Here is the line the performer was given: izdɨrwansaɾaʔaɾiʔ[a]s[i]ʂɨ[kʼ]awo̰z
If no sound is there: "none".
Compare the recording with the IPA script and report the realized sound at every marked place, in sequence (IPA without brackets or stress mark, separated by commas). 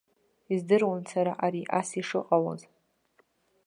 a, i, qʼ